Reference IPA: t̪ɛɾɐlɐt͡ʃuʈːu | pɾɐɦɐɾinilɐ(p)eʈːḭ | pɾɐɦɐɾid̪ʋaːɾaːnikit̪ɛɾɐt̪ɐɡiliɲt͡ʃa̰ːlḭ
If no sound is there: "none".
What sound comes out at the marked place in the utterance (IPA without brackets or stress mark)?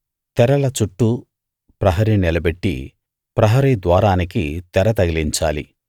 b